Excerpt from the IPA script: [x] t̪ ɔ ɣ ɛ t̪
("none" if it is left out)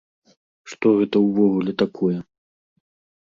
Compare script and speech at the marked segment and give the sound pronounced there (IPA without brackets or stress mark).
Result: ʂ